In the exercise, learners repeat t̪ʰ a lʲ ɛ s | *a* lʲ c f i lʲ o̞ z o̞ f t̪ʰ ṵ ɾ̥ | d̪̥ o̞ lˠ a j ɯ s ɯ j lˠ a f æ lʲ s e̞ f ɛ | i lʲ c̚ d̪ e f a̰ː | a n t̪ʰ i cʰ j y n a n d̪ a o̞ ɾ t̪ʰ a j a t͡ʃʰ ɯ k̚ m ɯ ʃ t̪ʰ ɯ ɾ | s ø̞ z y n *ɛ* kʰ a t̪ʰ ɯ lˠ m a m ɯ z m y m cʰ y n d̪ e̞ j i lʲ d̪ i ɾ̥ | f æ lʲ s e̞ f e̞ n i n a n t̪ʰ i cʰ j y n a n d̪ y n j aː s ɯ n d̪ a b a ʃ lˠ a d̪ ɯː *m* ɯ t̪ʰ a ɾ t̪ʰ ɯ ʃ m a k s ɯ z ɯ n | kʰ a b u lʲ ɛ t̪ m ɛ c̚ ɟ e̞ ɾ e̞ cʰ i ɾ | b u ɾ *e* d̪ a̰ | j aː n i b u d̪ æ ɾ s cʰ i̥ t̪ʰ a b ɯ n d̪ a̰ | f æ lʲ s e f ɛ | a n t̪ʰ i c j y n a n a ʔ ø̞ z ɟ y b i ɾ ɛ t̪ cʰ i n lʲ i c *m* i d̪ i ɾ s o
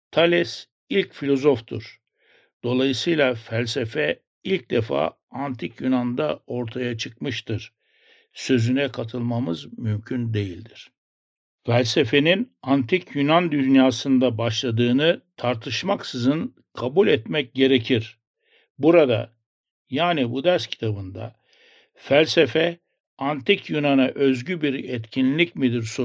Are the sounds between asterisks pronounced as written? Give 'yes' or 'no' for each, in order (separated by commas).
no, yes, no, no, yes